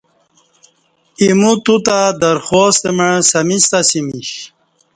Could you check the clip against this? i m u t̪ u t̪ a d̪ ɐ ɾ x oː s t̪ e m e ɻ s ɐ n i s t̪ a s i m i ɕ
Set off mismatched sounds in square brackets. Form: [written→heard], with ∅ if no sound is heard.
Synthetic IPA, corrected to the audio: i m u t̪ u t̪ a d̪ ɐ ɾ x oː s t̪ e m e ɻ s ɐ [n→m] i s t̪ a s i m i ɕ